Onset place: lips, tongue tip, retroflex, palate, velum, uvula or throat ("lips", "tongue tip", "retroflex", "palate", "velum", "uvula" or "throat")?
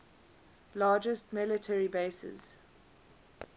tongue tip